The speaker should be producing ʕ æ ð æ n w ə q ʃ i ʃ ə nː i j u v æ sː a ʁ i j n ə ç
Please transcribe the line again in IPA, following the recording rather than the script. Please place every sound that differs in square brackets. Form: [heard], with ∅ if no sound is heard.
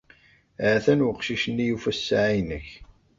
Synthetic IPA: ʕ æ [θ] æ n w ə q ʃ i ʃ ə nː i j u [f] æ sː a [ʕ] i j n ə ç